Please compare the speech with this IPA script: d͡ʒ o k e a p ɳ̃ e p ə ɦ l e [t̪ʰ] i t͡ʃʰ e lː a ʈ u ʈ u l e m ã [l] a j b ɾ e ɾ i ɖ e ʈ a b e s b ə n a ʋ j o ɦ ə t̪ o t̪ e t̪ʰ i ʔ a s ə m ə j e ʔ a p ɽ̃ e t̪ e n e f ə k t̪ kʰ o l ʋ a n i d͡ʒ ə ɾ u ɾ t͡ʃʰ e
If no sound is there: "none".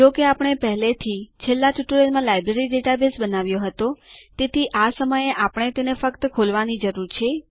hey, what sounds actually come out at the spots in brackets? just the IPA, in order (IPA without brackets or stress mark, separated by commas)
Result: t̪ʰ, l